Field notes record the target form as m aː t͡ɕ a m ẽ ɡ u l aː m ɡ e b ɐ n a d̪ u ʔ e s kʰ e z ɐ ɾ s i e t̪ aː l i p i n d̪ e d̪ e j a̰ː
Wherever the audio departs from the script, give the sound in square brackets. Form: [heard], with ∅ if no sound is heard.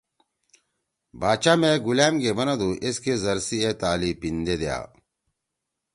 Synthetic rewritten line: [b] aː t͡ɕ a m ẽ ɡ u l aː m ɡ e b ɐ n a d̪ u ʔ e s [k] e z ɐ ɾ s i e t̪ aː l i p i n d̪ e d̪ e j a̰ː